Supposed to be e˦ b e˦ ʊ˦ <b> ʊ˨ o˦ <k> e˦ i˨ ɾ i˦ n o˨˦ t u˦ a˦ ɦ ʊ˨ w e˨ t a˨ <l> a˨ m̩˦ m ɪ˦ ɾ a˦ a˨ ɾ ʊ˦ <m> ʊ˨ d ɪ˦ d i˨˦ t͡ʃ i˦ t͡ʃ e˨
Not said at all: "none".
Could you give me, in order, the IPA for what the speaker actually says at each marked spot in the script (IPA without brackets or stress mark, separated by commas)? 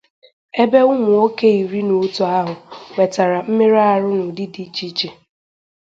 m, k, ɾ, n